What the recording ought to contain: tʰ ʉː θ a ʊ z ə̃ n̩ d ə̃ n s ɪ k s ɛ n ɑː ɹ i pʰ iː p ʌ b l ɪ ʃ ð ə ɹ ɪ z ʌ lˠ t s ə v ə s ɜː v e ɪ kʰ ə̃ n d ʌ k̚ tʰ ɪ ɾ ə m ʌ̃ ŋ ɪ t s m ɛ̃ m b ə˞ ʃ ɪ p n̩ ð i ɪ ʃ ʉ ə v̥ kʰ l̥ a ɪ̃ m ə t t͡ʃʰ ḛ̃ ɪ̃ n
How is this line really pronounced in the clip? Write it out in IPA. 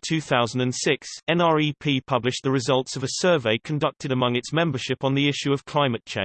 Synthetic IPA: tʰ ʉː θ a ʊ z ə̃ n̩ d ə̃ n s ɪ k s ɛ̃ n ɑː ɹ i pʰ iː pʰ ʌ b l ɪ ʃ ð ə ɹ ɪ z ʌ lˠ t s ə v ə s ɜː v e ɪ kʰ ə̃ n d ʌ k̚ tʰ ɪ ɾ ə m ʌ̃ ŋ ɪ t s m ɛ̃ m b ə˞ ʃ ɪ p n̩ ð i ɪ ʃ ʉ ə v̥ kʰ l̥ a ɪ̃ m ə t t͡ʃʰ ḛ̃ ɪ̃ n